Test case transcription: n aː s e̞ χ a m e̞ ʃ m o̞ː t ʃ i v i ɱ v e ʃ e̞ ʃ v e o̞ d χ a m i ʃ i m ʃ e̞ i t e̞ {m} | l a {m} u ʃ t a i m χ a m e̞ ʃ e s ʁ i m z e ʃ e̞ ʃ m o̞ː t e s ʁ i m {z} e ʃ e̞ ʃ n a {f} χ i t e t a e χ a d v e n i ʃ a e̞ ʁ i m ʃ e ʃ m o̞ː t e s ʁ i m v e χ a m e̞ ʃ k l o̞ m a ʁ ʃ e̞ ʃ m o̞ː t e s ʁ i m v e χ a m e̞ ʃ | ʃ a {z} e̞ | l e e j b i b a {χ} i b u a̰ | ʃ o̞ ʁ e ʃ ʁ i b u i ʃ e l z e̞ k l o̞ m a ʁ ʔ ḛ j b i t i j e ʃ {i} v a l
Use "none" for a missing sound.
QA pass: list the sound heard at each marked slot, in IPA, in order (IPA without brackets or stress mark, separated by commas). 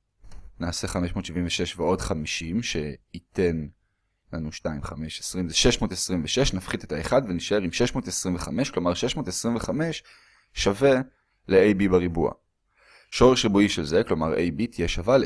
n, n, v, f, v, ʁ, a